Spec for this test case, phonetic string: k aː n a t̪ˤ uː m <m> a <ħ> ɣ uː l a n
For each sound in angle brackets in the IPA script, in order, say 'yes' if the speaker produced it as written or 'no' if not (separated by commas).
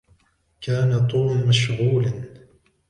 yes, no